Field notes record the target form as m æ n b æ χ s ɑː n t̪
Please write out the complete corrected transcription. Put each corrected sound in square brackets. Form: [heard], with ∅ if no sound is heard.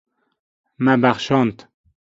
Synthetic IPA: m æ [∅] b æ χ [ʃ] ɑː n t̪